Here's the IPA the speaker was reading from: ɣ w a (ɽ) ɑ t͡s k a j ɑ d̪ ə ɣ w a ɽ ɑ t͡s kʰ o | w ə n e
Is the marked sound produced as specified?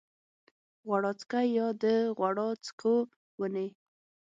yes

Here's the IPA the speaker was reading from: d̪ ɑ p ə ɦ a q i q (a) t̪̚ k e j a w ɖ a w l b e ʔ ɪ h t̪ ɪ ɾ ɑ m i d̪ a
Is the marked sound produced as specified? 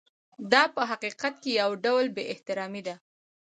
yes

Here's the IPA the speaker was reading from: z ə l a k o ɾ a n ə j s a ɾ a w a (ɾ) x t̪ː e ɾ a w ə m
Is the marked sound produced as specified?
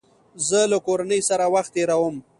no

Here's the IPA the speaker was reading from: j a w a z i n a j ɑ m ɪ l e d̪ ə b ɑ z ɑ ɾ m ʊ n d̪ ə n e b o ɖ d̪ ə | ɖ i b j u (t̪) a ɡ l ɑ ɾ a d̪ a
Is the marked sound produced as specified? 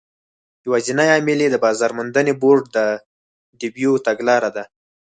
yes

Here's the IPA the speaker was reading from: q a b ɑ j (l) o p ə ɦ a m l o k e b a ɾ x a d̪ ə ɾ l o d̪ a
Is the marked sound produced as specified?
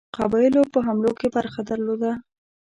yes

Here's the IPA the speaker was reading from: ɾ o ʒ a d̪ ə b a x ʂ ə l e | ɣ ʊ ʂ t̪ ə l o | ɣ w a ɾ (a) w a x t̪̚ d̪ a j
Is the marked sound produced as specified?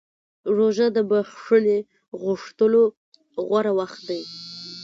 yes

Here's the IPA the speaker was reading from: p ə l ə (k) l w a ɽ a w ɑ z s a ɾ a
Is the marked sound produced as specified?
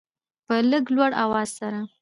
no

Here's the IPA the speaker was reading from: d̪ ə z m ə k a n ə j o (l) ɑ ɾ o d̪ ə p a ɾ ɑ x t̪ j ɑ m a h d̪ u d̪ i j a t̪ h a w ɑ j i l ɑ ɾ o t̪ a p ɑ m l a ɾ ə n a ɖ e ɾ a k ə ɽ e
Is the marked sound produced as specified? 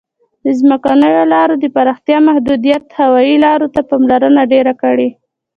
yes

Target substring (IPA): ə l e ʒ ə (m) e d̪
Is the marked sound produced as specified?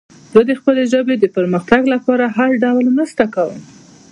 no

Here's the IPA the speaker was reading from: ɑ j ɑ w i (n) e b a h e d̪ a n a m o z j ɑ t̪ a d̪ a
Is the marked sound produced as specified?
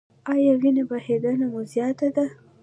yes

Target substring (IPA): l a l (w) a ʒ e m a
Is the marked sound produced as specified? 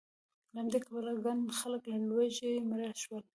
yes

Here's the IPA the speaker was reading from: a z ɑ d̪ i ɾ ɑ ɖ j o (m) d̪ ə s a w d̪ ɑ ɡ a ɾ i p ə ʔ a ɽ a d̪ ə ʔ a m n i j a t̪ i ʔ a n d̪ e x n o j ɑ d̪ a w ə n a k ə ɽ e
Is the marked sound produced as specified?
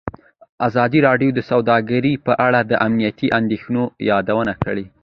no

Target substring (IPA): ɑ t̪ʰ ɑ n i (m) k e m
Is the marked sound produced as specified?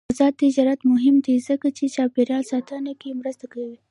no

